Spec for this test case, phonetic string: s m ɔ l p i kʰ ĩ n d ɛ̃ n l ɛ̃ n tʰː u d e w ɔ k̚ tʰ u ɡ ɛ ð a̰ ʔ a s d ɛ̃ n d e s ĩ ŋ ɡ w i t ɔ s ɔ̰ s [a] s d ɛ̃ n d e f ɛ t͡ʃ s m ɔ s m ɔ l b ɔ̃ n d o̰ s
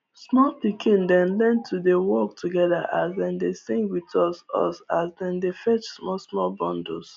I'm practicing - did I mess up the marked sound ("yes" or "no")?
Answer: no